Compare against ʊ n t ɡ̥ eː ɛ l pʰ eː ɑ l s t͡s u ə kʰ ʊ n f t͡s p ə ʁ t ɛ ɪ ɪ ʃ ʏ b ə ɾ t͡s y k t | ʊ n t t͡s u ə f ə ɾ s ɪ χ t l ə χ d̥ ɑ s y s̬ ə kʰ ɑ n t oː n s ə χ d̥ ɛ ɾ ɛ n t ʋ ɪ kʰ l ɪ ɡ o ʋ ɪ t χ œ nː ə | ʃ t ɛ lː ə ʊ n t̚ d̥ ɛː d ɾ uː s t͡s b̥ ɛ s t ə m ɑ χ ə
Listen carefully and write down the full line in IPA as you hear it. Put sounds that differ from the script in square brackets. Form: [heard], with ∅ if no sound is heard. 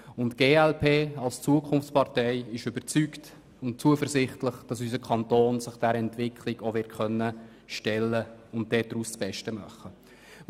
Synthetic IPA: ʊ n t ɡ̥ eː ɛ l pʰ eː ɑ l s t͡s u ə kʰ ʊ n f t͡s p [ɑ] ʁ t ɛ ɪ ɪ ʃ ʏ b ə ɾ t͡s y k t | ʊ n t t͡s u ə f ə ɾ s ɪ χ t l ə χ d̥ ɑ s y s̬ ə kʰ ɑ n t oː n s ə χ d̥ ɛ ɾ ɛ n t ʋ ɪ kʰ l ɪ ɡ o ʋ ɪ t χ œ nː ə | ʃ t ɛ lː ə ʊ n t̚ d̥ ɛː d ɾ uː s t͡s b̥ ɛ [ʃ] t ə m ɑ χ ə